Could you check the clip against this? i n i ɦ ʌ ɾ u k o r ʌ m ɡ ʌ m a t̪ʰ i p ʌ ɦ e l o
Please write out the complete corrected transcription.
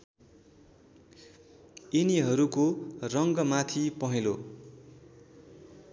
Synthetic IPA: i n i ɦ ʌ ɾ u k o r ʌ ŋ ɡ ʌ m a t̪ʰ i p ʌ ɦ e l o